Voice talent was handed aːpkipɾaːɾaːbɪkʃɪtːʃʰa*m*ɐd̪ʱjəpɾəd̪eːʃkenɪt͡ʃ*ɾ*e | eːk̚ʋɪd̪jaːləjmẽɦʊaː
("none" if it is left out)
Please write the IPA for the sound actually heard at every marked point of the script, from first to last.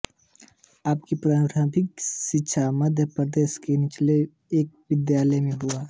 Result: m, l

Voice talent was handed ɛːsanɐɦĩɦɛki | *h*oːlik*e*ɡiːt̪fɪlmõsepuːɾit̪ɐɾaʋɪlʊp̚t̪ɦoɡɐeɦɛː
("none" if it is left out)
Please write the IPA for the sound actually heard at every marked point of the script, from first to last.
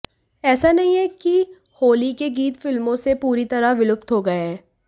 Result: h, e

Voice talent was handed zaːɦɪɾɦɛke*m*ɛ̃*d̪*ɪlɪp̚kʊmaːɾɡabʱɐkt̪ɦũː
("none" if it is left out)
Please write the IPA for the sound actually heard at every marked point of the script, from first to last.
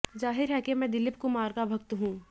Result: m, d̪

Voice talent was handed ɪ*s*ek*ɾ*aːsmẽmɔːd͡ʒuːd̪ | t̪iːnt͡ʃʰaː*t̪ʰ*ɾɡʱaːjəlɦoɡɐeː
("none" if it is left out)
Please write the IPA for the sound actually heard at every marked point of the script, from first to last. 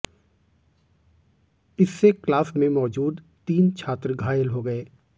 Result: sː, l, t̪

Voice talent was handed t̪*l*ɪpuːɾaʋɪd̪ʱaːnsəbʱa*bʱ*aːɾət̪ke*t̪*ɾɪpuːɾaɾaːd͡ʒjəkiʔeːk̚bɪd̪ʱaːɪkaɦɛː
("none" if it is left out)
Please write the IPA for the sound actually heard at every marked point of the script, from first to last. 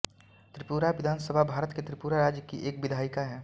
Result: ɾ, bʱ, t̪

